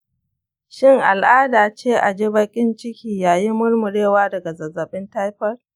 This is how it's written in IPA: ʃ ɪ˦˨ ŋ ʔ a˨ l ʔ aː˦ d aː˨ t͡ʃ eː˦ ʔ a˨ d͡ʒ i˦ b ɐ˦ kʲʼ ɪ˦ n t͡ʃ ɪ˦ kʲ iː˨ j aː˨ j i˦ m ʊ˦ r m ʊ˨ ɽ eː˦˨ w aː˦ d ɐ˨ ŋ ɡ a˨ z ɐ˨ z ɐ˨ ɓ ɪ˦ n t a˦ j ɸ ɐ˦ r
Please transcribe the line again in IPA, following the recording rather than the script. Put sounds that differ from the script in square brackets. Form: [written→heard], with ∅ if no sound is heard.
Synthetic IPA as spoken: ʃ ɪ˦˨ ŋ ʔ a˨ l ʔ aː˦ d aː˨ t͡ʃ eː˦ ʔ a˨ d͡ʒ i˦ b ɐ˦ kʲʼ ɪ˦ n t͡ʃ ɪ˦ kʲ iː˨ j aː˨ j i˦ m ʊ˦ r m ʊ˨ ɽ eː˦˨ w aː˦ d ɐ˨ [ŋ→∅] ɡ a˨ z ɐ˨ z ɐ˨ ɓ ɪ˦ n t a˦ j ɸ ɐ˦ r